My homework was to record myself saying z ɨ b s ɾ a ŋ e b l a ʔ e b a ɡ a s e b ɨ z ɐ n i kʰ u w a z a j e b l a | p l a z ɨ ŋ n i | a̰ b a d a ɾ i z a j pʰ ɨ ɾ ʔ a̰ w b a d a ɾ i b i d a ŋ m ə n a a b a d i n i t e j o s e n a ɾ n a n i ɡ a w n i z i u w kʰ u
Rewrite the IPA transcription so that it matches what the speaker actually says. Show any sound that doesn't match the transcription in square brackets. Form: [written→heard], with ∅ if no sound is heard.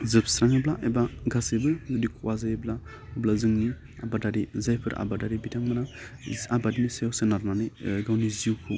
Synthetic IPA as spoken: z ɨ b s ɾ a ŋ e b l a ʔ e b a ɡ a s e b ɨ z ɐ [n→d] i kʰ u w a z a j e b l a | [p→b] l a z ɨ ŋ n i | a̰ b a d a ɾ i z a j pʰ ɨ ɾ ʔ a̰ [w→∅] b a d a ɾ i b i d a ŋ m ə n a a b a d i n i [t→s] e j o s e n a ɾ n a n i ɡ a w n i z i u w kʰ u

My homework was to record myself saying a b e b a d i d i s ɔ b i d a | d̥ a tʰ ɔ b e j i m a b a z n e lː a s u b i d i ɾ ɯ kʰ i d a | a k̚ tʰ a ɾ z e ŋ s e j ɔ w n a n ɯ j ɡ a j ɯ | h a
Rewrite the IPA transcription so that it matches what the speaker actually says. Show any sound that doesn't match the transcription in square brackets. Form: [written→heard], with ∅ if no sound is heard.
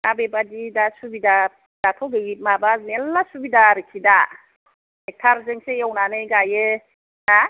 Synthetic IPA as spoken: a b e b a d i d [i→a] s [ɔ→u] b i d a | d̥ a tʰ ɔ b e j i m a b a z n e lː a s u b i d [i→a] ɾ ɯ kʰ i d a | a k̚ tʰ a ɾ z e ŋ s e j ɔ w n a n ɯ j ɡ a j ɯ | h a

